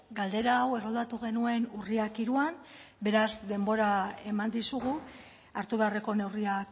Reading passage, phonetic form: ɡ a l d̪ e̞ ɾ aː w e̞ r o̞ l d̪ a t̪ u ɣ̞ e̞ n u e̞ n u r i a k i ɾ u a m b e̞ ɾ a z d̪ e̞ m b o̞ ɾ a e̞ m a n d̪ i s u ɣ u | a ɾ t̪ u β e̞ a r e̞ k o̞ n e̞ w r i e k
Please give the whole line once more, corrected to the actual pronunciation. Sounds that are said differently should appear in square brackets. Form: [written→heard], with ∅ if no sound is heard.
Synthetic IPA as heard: ɡ a l d̪ e̞ ɾ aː w e̞ r o̞ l d̪ a t̪ u ɣ̞ e̞ n u e̞ n u r i a k i ɾ u a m b e̞ ɾ a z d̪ e̞ m b o̞ ɾ a e̞ m a n d̪ i s u ɣ u | a ɾ t̪ u β e̞ a r e̞ k o̞ n e̞ w r i [e→a] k